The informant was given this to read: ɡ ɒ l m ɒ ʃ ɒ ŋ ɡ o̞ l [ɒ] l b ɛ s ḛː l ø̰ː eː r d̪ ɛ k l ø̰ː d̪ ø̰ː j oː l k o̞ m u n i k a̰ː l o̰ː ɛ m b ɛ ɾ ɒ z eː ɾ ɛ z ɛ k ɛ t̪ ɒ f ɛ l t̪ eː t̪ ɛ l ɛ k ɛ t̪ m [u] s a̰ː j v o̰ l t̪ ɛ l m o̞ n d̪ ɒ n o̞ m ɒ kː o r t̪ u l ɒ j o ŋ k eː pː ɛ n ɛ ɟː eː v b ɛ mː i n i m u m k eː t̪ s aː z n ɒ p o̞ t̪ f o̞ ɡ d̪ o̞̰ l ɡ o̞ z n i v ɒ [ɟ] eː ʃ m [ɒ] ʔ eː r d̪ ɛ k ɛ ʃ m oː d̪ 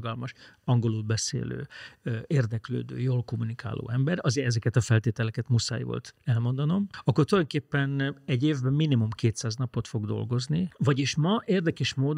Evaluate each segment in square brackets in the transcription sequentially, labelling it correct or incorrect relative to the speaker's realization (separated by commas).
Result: incorrect, correct, correct, correct